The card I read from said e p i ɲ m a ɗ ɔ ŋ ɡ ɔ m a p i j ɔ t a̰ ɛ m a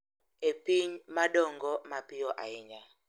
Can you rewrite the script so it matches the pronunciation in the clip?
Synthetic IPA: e p i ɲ m a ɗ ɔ ŋ ɡ ɔ m a p i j ɔ ʔ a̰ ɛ ɲ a

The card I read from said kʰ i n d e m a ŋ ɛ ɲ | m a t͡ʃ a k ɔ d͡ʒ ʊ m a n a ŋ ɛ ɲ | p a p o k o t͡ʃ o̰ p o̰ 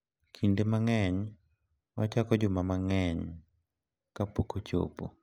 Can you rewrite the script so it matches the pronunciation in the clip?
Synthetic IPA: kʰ i n d e m a ŋ ɛ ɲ | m a t͡ʃ a k ɔ d͡ʒ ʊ m a m a ŋ ɛ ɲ | k a p o k o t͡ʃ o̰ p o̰

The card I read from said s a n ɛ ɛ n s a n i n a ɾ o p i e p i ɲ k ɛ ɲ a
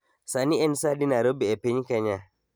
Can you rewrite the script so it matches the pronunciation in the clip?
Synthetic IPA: s a n i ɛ n s a d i n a ɾ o b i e p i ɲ k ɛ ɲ a

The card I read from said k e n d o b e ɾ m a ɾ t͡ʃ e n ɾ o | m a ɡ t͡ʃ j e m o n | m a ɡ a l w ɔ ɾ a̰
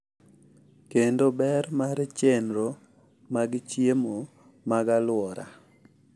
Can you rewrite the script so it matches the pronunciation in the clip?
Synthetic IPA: k e n d o b ɛ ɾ m a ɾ t͡ʃ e n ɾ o | m a ɡ t͡ʃ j e m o | m a ɡ a l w ɔ ɾ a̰

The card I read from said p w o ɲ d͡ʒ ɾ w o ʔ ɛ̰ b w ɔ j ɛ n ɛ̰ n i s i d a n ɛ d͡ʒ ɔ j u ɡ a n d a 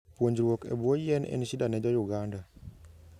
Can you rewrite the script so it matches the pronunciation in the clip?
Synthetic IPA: p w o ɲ d͡ʒ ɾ w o k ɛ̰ b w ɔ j ɛ n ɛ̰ n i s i d a n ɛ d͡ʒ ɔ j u ɡ a n d a

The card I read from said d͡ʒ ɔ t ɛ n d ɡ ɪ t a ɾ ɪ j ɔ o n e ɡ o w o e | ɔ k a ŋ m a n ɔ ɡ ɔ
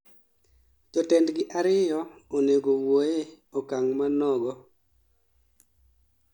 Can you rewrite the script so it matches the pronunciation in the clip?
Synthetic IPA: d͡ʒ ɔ t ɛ n d ɡ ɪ ʔ a ɾ ɪ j ɔ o n e ɡ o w o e | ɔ k a ŋ m a n ɔ ɡ ɔ

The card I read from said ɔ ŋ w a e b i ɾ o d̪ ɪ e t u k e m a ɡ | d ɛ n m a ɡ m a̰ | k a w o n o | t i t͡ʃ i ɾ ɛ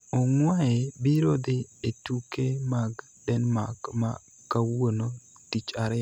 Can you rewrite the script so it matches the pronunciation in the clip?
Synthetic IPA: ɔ ŋ w a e b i ɾ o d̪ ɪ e t u k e m a ɡ | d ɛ n m a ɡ m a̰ | k a w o n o | t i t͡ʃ a ɾ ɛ

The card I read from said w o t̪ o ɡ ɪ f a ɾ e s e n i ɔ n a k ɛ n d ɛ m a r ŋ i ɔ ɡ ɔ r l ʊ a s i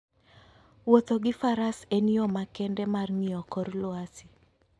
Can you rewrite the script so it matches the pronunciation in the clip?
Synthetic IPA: w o t̪ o ɡ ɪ f a ɾ a s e n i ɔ m a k ɛ n d ɛ m a r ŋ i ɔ k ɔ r l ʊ a s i

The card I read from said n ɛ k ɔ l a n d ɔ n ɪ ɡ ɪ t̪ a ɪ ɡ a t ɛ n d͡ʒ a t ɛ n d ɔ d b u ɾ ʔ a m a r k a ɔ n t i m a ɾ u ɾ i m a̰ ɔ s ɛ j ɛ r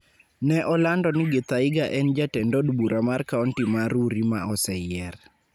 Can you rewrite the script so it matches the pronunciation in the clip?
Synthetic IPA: n ɛ ʔ ɔ l a n d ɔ n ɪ ɡ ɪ t̪ a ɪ ɡ a ʔ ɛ n d͡ʒ a t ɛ n d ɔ d b u ɾ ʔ a m a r k a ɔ n t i m a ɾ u ɾ i m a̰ ɔ s ɛ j ɛ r

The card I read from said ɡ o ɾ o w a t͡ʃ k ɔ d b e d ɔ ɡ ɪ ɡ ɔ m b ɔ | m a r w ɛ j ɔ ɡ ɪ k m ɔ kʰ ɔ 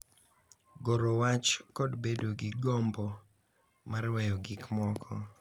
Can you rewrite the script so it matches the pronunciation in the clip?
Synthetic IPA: ɡ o ɾ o w a t͡ʃ k ɔ d b e d o ɡ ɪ ɡ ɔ m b ɔ | m a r w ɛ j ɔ ɡ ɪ k m ɔ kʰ ɔ

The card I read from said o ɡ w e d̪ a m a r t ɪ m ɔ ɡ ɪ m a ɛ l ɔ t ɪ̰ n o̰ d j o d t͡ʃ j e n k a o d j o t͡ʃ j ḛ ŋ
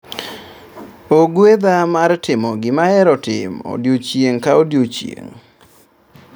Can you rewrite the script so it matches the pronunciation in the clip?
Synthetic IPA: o ɡ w e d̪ a m a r t ɪ m ɔ ɡ ɪ m a ɛ ɾ ɔ t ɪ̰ m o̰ d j o t͡ʃ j e ŋ k a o d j o t͡ʃ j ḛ ŋ

